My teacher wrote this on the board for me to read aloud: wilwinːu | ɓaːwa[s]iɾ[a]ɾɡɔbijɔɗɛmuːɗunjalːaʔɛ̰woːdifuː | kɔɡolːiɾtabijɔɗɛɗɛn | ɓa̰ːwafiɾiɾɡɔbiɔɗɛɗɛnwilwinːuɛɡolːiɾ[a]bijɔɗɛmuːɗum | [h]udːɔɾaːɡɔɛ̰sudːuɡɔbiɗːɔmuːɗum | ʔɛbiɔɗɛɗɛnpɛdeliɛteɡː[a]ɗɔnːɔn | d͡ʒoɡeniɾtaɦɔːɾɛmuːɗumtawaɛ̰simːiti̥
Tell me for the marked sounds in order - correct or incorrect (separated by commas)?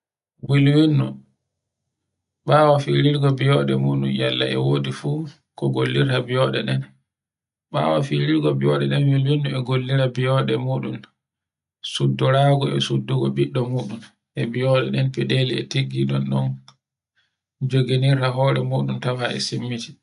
incorrect, incorrect, correct, incorrect, incorrect